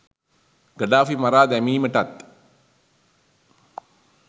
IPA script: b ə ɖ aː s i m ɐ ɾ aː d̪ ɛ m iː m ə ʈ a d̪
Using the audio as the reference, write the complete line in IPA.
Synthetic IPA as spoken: ɡ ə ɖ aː f i m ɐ ɾ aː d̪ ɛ m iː m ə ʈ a t̪